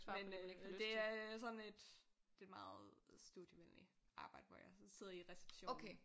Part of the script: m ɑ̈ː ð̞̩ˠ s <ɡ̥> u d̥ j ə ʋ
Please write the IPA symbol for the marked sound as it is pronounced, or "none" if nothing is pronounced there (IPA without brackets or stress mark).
d̥